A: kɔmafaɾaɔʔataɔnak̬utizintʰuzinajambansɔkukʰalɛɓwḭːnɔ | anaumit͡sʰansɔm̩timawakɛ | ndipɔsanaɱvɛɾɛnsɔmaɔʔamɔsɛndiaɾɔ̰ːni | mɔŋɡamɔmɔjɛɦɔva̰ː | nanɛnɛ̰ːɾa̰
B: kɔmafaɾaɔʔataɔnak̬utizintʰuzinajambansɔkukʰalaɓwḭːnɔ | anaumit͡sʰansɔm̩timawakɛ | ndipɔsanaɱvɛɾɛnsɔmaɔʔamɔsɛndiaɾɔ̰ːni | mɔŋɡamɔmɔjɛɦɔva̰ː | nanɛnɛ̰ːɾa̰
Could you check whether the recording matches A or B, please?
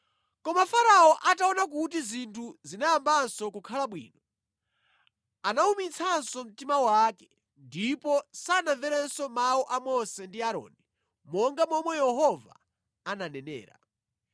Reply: B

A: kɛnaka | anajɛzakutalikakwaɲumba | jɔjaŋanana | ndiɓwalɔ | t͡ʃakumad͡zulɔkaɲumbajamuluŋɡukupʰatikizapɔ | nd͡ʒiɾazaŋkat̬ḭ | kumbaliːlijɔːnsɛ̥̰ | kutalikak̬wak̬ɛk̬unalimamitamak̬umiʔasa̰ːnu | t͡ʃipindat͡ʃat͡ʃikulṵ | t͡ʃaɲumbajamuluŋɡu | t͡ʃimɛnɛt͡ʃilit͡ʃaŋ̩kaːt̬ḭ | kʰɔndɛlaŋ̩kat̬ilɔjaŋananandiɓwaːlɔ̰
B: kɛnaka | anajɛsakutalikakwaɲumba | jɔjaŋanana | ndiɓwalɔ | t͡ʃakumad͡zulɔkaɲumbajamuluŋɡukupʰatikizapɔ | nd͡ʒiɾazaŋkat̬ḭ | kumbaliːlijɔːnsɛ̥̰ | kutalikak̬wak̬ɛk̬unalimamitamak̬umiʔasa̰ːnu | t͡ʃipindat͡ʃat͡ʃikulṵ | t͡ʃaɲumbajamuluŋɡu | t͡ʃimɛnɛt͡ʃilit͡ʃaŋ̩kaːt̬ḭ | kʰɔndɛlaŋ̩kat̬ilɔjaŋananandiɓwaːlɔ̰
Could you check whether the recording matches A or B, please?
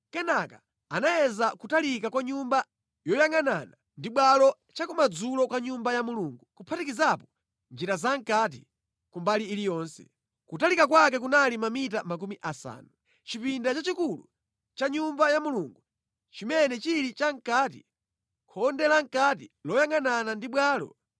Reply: A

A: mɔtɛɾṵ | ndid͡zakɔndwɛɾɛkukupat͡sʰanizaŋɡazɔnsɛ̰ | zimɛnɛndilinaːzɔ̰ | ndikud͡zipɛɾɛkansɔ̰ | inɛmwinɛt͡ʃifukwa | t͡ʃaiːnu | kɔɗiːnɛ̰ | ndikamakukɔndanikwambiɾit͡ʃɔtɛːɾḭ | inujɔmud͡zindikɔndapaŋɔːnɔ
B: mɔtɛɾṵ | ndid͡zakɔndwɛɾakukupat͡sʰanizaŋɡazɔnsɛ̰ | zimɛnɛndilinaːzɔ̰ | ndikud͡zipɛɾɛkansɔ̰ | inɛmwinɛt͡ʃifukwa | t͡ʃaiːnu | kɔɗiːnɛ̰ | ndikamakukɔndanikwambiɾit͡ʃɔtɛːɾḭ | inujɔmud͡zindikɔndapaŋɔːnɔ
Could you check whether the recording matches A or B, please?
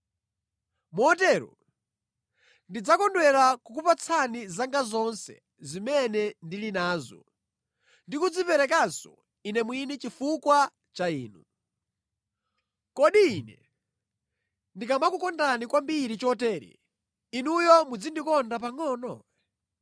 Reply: B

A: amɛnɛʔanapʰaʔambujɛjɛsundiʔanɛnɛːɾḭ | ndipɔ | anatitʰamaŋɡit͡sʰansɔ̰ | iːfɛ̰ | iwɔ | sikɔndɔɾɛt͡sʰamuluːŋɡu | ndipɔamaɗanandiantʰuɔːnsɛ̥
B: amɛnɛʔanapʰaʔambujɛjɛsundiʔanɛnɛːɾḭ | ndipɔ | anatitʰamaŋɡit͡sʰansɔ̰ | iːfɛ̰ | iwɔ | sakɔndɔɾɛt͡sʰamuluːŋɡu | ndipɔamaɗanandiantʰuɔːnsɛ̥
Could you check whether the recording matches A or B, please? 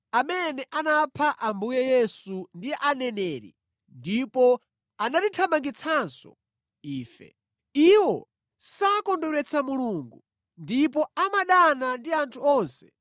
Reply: B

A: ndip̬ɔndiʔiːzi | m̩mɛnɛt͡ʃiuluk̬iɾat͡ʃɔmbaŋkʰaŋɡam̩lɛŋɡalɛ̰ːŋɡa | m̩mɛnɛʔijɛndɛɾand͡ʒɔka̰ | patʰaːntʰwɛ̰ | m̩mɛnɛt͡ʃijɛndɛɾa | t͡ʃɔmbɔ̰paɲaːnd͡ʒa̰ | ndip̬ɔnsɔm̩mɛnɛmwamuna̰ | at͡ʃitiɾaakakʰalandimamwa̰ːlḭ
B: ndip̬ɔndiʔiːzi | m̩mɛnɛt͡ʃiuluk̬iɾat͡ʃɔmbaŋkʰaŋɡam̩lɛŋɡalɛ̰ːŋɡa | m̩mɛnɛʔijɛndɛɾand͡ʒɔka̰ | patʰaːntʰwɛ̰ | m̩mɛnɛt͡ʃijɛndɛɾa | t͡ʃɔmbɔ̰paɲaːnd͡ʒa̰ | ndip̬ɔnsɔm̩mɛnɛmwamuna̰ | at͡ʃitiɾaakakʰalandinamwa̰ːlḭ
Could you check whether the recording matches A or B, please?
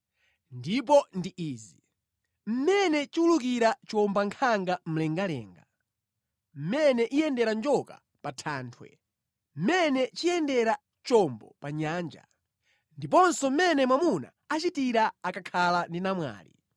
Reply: B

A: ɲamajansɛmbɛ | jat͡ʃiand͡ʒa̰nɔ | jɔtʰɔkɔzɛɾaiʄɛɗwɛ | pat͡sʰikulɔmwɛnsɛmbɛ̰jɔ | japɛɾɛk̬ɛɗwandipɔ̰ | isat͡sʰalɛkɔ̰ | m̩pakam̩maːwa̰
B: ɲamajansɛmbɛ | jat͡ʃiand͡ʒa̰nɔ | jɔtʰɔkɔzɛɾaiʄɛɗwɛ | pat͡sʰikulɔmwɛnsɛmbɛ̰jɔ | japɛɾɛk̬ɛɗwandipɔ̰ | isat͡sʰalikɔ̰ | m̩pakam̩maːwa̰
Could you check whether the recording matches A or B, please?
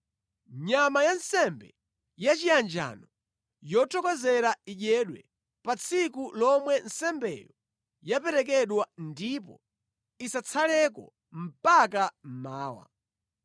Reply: A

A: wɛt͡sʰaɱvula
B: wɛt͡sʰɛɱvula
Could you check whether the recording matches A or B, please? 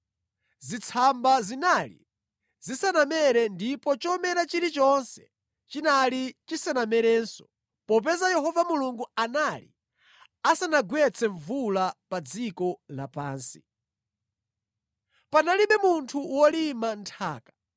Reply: B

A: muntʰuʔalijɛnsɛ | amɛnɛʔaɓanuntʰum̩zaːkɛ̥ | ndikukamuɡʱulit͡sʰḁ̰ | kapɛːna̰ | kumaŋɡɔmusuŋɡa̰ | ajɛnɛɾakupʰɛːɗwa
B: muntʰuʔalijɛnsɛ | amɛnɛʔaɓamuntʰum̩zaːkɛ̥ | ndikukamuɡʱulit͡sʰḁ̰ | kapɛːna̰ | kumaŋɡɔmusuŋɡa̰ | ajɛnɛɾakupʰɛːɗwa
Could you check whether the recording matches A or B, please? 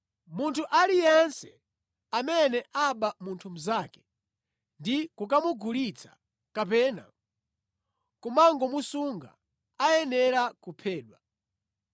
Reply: B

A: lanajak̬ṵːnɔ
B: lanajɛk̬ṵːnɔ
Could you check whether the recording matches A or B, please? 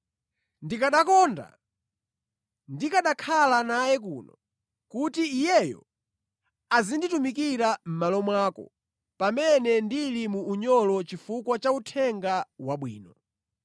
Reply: B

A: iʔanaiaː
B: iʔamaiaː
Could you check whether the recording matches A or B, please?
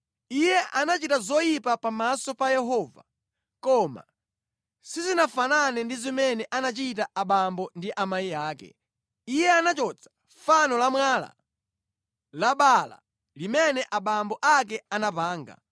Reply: B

